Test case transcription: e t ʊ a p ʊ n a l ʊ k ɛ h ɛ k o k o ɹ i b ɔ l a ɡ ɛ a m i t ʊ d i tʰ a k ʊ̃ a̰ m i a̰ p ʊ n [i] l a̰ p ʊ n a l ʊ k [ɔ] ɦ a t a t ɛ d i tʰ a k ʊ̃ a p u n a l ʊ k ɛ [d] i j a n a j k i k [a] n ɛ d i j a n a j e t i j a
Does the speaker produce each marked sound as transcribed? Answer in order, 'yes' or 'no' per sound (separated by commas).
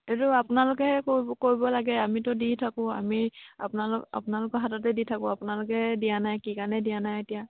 no, yes, yes, yes